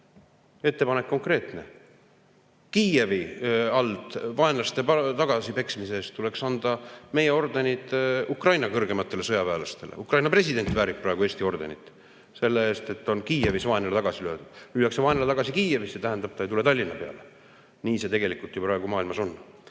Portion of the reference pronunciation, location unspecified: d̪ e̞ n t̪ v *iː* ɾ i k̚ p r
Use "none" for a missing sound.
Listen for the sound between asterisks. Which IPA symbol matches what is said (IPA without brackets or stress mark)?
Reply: æː